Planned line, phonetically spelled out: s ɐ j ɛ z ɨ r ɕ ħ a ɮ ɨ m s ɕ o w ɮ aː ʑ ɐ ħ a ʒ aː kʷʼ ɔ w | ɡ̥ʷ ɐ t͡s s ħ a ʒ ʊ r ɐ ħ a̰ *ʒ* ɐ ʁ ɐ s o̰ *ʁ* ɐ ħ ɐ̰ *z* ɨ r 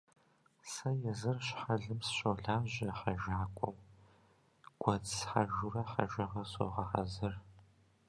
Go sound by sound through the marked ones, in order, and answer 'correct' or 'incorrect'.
correct, correct, correct

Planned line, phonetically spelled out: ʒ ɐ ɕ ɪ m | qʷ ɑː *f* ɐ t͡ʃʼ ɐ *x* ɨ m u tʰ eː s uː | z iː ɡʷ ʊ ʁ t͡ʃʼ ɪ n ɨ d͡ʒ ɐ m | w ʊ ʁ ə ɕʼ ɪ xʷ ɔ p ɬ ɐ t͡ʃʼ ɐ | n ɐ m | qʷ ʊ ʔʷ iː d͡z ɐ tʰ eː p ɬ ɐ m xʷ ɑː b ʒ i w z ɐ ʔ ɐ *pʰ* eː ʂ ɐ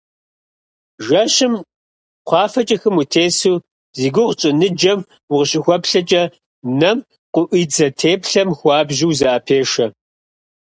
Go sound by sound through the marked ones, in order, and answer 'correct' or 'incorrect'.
correct, correct, correct

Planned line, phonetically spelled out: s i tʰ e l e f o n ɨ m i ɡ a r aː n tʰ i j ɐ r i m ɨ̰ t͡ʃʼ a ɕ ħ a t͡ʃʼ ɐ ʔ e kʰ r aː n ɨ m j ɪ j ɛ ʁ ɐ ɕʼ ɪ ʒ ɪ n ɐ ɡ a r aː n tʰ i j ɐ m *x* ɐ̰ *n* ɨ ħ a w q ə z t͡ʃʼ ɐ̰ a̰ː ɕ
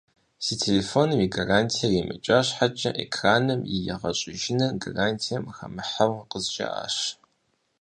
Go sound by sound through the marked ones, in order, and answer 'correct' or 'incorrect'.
correct, incorrect

